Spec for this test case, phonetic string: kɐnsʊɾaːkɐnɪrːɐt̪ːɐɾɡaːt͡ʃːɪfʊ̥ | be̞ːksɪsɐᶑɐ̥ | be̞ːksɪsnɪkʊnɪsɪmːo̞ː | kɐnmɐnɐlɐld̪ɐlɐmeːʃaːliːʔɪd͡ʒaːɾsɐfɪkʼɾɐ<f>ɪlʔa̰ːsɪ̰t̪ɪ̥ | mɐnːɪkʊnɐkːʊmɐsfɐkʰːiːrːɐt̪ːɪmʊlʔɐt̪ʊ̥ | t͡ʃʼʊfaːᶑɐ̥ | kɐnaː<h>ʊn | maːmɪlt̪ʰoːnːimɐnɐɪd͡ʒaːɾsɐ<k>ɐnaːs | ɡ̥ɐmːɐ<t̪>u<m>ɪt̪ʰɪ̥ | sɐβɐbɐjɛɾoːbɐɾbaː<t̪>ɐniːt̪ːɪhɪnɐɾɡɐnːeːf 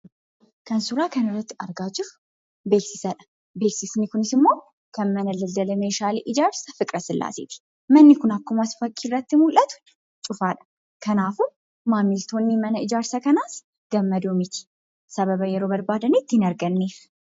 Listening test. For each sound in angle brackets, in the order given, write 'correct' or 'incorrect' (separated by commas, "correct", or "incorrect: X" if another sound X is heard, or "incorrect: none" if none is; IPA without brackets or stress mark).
incorrect: s, incorrect: f, correct, incorrect: d̪, correct, incorrect: d̪